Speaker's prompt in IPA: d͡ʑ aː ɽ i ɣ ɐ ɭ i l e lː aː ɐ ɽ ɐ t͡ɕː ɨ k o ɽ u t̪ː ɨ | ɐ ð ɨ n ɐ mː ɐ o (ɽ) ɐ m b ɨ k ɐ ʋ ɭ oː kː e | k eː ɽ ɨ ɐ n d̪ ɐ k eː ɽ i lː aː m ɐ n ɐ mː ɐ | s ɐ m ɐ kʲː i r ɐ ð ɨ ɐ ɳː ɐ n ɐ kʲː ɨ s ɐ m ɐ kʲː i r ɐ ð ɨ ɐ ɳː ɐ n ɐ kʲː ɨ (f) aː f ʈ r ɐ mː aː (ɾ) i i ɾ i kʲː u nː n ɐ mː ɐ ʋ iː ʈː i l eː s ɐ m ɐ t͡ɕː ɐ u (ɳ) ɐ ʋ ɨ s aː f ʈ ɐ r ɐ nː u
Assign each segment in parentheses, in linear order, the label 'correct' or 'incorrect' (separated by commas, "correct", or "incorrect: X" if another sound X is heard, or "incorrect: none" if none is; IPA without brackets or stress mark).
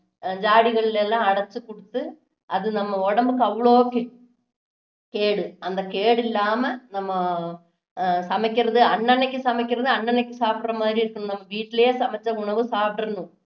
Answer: correct, incorrect: s, correct, correct